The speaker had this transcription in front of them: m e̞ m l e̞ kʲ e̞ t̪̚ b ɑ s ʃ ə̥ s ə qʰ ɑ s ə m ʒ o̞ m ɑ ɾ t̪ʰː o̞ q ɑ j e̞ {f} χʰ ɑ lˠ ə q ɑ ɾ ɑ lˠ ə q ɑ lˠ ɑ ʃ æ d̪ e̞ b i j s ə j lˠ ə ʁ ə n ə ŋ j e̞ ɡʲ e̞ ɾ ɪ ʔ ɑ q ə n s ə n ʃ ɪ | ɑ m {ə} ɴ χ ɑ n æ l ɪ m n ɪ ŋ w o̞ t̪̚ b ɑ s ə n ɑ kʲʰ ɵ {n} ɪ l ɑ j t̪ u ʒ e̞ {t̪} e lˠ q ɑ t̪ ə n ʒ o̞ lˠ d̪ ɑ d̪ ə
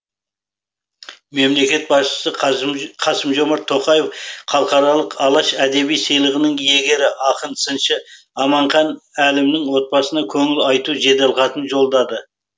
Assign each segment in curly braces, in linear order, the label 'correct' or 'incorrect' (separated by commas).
correct, incorrect, incorrect, incorrect